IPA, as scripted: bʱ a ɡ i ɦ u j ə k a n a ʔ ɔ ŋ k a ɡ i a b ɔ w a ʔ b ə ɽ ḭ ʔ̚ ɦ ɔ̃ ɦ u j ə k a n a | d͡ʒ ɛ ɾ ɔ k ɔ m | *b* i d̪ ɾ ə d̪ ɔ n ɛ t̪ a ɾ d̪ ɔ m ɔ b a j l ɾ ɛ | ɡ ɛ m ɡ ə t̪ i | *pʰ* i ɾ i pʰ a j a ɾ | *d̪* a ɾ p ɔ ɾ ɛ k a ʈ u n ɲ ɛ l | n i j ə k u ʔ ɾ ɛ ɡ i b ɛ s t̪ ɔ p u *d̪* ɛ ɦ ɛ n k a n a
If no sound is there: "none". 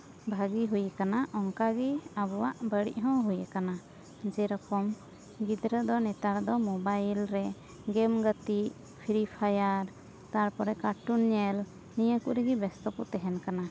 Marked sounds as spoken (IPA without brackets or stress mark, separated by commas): ɡ, pʰ, t̪, t̪